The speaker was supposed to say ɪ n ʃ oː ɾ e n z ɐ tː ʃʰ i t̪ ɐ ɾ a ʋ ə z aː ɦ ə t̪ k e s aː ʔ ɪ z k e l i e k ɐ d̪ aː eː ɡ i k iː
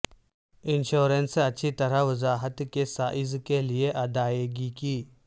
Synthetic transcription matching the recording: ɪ n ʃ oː ɾ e n s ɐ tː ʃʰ i t̪ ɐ ɾ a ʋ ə z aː ɦ ə t̪ k e s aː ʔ ɪ z k e l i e ʔ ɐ d̪ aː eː ɡ i k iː